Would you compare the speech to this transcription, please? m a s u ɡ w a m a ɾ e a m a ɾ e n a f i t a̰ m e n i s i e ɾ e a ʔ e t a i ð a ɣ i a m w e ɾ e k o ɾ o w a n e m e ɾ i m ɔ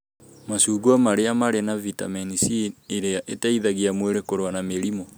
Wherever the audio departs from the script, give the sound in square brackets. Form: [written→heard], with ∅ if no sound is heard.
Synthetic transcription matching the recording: m a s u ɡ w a m a ɾ e a m a ɾ e n a [f→v] i t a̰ m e n i s i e ɾ e a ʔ e t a i ð a ɣ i a m w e ɾ e k o ɾ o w a n [e→a] m e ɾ i m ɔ